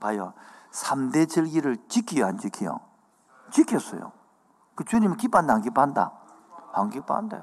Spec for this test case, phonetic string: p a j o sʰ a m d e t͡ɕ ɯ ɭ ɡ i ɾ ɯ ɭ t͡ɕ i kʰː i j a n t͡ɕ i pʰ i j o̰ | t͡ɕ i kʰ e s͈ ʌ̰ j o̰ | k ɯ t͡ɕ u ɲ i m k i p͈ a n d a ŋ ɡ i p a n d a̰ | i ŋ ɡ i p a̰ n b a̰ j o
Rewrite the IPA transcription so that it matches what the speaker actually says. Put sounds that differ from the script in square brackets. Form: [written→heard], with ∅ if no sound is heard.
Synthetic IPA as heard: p a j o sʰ a m d e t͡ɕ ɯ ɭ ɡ i ɾ ɯ ɭ t͡ɕ i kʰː i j a n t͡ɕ i [pʰ→kʰ] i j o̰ | t͡ɕ i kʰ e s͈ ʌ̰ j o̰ | k ɯ t͡ɕ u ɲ i m k i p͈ a n d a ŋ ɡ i p a n d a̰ | [i→a] ŋ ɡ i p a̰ n [b→d] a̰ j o